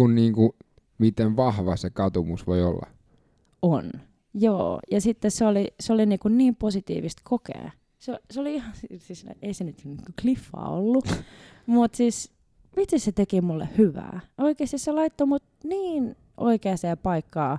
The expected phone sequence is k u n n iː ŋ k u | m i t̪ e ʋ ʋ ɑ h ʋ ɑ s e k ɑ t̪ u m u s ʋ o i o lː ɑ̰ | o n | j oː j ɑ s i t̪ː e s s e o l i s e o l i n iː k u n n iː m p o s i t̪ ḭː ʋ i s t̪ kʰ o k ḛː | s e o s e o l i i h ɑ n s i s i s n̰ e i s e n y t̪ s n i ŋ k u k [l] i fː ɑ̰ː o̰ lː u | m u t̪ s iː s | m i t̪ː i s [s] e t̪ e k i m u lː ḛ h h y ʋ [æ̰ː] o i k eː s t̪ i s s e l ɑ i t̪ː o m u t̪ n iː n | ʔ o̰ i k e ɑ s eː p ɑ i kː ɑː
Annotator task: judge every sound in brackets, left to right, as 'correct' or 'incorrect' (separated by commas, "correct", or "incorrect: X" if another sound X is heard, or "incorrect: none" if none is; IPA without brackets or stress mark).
correct, correct, correct